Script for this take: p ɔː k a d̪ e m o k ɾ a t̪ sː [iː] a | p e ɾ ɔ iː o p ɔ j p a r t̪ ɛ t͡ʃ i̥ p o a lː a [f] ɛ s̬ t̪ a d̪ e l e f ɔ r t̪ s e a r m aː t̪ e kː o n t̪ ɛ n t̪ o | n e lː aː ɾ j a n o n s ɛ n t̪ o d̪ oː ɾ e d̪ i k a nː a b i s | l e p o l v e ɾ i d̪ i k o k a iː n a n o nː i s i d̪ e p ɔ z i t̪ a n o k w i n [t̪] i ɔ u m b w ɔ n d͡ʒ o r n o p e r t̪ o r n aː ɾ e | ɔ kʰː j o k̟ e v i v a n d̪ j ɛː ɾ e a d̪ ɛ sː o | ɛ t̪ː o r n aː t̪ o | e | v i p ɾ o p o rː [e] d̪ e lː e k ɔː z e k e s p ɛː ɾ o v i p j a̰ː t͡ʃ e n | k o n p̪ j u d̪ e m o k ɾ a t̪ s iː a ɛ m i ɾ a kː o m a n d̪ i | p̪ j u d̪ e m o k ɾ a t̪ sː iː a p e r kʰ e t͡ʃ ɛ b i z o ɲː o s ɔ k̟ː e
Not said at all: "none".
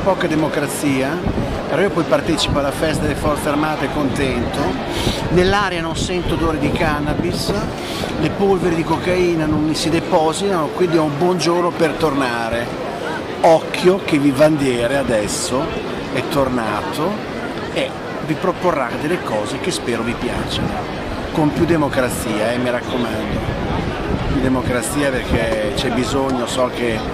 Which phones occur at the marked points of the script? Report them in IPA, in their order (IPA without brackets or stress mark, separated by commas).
iː, f, d̪, a